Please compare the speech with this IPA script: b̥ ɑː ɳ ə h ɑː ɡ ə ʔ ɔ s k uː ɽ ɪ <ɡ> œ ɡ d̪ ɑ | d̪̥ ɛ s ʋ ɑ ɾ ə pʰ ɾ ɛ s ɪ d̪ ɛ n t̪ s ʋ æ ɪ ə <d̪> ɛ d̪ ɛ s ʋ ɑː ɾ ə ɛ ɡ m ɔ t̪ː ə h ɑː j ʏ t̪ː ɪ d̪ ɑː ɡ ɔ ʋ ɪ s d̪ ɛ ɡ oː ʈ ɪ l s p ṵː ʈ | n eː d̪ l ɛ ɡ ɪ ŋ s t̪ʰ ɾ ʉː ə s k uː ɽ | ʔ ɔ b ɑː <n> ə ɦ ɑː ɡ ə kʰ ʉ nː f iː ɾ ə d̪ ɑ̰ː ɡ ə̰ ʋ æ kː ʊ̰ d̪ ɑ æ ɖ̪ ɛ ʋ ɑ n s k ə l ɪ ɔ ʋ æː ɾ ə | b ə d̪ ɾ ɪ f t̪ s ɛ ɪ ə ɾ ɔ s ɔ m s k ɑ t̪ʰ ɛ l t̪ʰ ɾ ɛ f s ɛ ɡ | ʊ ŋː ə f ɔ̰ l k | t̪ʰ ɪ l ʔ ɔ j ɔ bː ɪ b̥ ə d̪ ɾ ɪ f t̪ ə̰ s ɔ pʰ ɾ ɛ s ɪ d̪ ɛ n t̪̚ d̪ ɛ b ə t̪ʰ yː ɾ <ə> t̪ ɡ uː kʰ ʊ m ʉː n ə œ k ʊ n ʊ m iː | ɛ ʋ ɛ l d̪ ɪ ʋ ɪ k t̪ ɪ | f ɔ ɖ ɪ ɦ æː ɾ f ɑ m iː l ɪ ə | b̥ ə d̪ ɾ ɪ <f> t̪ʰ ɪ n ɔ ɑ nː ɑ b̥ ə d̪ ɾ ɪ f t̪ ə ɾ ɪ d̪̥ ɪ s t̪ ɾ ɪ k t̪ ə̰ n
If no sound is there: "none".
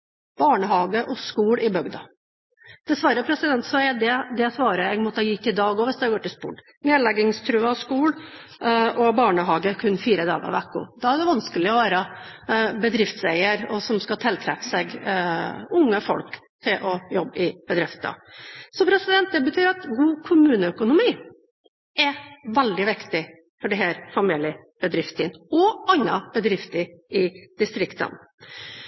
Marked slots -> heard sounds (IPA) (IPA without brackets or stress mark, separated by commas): b, d̪, ɳ, ɑ, f